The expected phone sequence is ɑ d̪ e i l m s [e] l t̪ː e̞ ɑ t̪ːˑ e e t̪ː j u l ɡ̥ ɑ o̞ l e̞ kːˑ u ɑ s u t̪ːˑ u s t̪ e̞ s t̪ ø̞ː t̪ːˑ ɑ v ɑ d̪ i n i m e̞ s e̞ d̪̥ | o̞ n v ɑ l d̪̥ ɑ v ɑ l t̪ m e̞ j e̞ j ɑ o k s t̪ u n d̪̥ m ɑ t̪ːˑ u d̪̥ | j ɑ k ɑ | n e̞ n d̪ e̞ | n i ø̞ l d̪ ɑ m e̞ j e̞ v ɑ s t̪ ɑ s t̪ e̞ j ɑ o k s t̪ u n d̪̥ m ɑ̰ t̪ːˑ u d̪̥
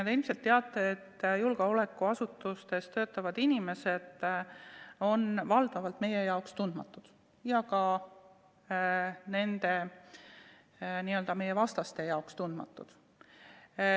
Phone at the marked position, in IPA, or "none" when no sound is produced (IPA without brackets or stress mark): e